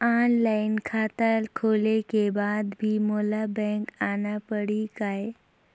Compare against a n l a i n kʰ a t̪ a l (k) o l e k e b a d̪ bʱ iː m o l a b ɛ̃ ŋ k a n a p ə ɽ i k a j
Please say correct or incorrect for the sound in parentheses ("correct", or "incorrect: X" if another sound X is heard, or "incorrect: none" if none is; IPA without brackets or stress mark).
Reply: incorrect: kʰ